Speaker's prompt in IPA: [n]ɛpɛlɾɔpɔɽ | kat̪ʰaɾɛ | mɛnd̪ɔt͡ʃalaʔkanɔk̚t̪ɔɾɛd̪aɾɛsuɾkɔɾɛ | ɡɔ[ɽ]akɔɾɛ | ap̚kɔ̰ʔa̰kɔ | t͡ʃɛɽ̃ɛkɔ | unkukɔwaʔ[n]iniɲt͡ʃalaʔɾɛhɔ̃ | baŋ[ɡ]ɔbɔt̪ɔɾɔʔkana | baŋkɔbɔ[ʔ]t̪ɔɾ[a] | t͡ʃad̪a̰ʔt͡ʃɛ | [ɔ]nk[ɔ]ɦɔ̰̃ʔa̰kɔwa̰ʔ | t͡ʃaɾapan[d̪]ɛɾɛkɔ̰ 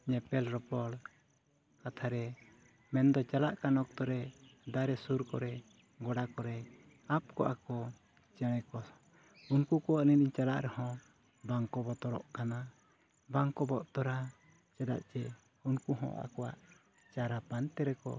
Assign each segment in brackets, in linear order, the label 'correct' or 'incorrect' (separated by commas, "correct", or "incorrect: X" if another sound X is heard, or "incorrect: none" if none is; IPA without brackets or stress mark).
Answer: incorrect: ɲ, correct, correct, incorrect: k, correct, correct, incorrect: u, incorrect: u, incorrect: t̪